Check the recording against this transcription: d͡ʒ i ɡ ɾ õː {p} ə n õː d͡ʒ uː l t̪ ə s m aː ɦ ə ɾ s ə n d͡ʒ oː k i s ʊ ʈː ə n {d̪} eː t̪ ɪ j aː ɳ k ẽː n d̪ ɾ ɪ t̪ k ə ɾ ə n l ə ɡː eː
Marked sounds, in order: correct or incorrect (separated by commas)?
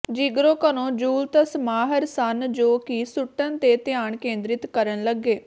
incorrect, incorrect